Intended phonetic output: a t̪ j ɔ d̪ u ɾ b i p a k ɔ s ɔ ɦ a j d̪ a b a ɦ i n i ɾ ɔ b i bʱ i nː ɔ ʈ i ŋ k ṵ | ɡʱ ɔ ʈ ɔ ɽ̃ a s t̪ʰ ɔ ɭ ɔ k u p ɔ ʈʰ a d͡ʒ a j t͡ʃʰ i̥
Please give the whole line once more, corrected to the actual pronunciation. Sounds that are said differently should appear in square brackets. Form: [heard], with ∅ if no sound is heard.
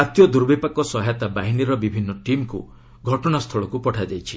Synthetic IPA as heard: a t̪ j ɔ d̪ u ɾ b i p a k ɔ s ɔ ɦ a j [t̪] a b a ɦ i n i ɾ ɔ b i bʱ i nː ɔ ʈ i [m] k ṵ | ɡʱ ɔ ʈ ɔ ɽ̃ a s t̪ʰ ɔ ɭ ɔ k u p ɔ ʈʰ a d͡ʒ a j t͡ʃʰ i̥

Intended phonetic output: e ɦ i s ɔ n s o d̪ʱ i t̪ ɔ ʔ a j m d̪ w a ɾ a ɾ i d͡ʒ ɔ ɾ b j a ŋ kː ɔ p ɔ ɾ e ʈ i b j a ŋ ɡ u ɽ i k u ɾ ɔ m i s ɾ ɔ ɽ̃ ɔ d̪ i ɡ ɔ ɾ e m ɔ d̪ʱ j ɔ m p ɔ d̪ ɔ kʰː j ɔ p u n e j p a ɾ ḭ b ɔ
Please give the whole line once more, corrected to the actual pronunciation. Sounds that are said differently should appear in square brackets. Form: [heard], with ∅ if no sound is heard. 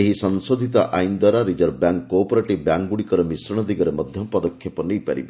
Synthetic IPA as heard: e ɦ i s ɔ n s o d̪ʱ i t̪ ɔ ʔ a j [n] d̪ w a ɾ a ɾ i d͡ʒ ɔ ɾ b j a ŋ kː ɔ p ɔ ɾ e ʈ i b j a ŋ ɡ u ɽ i k [ɔ] ɾ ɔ m i s ɾ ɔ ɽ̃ ɔ d̪ i ɡ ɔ ɾ e m ɔ d̪ʱ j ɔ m p ɔ d̪ ɔ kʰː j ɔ p [ɔ] n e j p a ɾ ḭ b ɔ

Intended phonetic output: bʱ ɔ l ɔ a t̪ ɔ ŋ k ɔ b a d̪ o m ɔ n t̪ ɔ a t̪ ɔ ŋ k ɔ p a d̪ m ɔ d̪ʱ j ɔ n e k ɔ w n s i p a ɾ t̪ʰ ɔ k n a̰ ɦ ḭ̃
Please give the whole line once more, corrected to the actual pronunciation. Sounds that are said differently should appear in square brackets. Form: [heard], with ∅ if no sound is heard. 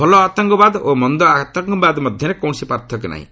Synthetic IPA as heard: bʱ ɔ l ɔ a t̪ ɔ ŋ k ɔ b a d̪ o m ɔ n [d̪] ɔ a t̪ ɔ ŋ k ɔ [b] a d̪ m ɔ d̪ʱ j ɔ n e k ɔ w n s i p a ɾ t̪ʰ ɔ k n a̰ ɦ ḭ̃

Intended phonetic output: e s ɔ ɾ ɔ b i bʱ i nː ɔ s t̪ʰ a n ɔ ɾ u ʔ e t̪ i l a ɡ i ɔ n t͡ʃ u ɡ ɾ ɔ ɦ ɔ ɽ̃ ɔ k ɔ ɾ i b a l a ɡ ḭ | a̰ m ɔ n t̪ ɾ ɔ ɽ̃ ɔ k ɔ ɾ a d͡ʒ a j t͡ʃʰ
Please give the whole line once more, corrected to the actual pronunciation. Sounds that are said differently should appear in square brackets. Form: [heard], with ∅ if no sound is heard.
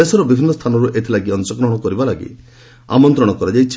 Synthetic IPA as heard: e s ɔ ɾ ɔ b i bʱ i nː ɔ s t̪ʰ a n ɔ ɾ u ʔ e [t̪ʰ] i l a ɡ i ɔ n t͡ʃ [ɔ] ɡ ɾ ɔ ɦ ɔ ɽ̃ ɔ k ɔ ɾ i b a l a ɡ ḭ | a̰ m ɔ n t̪ ɾ ɔ ɽ̃ ɔ k ɔ ɾ a d͡ʒ a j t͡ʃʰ

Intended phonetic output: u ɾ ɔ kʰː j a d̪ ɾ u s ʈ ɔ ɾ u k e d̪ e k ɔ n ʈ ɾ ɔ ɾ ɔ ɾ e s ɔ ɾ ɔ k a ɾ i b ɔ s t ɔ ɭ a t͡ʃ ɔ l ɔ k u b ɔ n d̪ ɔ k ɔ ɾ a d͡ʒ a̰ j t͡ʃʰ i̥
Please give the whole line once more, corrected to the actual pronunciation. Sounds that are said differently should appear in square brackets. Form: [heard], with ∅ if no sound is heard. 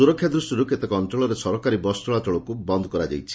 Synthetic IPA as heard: u ɾ ɔ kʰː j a d̪ ɾ u s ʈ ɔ ɾ u k e [t̪] e k ɔ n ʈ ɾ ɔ [ɭ] ɔ ɾ e s ɔ ɾ ɔ k a ɾ i b ɔ s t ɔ ɭ a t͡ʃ ɔ [ɭ] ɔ k u b ɔ n d̪ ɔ k ɔ ɾ a d͡ʒ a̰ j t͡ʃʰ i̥

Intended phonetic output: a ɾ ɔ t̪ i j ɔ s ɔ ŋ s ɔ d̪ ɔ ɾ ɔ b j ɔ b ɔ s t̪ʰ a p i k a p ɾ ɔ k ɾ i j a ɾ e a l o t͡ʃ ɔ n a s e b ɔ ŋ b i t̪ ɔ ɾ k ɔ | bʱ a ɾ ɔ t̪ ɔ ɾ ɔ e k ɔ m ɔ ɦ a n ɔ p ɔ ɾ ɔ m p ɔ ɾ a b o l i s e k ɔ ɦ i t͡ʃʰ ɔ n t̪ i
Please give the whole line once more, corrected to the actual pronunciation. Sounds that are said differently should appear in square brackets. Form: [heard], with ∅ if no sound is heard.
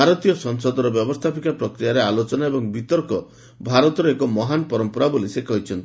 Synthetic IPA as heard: a ɾ ɔ t̪ i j ɔ s ɔ ŋ s ɔ d̪ ɔ ɾ ɔ b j ɔ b ɔ s t̪ʰ a p i k a p ɾ ɔ k ɾ i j a ɾ e a l o t͡ʃ ɔ n a [∅] e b ɔ ŋ b i t̪ ɔ ɾ k ɔ | bʱ a ɾ ɔ t̪ ɔ ɾ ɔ e k ɔ m ɔ ɦ a n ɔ p ɔ ɾ ɔ m p ɔ ɾ a b o l i s e k ɔ ɦ i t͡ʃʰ ɔ n t̪ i

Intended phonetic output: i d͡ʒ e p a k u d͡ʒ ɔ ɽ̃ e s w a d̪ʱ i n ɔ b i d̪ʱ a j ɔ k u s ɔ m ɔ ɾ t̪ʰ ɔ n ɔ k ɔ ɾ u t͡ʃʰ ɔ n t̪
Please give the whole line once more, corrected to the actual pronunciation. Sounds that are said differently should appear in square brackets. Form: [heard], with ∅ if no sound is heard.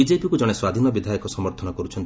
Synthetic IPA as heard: i d͡ʒ e p [i] k u d͡ʒ ɔ ɽ̃ e s w a d̪ʱ i n ɔ b i d̪ʱ a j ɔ k [ɔ] s ɔ m ɔ ɾ t̪ʰ ɔ n ɔ k ɔ ɾ u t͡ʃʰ ɔ n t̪

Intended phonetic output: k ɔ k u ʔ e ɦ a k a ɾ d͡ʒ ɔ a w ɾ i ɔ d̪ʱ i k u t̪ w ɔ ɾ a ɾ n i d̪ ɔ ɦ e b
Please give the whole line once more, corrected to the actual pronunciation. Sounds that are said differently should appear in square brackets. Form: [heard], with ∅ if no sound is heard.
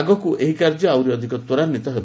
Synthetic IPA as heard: [ɡ] ɔ k u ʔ e ɦ [i] k a ɾ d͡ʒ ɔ a w ɾ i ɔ d̪ʱ i k [ɔ] t̪ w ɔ ɾ a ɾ n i [t̪] ɔ ɦ e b

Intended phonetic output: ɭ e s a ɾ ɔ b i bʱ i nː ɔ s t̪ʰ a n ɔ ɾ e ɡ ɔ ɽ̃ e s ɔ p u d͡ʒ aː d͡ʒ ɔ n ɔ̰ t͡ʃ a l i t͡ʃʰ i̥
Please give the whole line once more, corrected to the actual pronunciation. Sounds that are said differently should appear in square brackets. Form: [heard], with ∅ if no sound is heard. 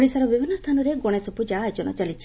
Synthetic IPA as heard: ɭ [i] s a ɾ ɔ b i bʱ i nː ɔ s t̪ʰ a n ɔ ɾ e ɡ ɔ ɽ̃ e s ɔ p u d͡ʒ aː d͡ʒ ɔ n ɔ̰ t͡ʃ a l i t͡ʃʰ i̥

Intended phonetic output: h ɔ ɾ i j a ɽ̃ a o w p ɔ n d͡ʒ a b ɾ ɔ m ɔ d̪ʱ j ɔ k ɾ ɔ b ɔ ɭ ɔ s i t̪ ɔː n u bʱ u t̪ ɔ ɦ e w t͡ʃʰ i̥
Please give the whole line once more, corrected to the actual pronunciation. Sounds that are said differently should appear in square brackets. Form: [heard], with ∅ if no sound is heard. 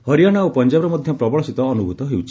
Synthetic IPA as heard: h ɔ ɾ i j a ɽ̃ a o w p ɔ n d͡ʒ a b ɾ ɔ m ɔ d̪ʱ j ɔ [p] ɾ ɔ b ɔ ɭ ɔ s i t̪ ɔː n u bʱ u t̪ ɔ ɦ e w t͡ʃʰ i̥

